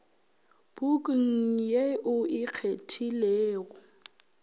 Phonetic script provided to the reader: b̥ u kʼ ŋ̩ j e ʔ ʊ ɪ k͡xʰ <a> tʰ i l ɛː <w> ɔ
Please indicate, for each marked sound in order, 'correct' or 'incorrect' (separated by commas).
incorrect, incorrect